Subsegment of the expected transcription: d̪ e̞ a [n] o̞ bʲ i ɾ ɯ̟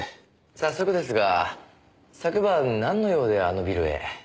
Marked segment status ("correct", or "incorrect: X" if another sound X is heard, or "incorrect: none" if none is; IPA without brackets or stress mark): correct